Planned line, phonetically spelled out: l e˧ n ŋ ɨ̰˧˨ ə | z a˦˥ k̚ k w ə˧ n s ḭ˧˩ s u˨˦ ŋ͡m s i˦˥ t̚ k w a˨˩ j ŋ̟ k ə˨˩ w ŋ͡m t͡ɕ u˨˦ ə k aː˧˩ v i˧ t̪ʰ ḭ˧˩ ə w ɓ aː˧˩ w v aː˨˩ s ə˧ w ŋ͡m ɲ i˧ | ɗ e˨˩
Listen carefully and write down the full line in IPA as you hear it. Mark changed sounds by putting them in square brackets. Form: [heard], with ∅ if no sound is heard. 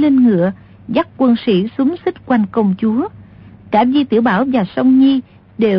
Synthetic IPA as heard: l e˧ n ŋ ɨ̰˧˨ ə | z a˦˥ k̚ k w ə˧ n s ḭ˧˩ s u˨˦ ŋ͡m s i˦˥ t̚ k w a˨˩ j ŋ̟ k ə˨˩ w ŋ͡m t͡ɕ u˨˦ ə k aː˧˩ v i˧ [t̪] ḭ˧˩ ə w ɓ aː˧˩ w v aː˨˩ s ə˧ w ŋ͡m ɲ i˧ | ɗ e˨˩